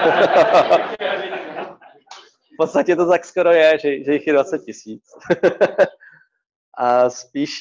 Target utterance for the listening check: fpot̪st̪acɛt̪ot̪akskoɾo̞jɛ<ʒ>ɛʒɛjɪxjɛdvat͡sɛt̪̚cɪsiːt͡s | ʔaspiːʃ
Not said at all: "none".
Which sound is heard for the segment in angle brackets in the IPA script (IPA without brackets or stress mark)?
ʒ